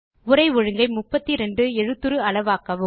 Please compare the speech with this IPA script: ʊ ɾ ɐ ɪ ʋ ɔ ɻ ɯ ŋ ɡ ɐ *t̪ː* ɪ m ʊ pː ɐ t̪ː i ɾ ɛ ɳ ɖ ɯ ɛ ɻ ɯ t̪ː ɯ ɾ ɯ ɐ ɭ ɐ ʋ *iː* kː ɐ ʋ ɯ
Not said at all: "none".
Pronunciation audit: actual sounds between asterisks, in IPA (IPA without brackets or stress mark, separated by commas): none, aː